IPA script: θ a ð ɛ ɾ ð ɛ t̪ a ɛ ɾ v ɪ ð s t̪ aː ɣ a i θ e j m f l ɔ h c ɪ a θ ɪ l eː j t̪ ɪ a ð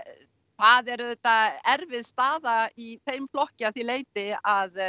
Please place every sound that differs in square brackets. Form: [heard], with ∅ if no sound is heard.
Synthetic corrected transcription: θ a ð ɛ ɾ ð ɛ t̪ a ɛ ɾ v ɪ ð s t̪ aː [ð] a i θ e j m f l ɔ h c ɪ a θ [i] l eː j t̪ ɪ a ð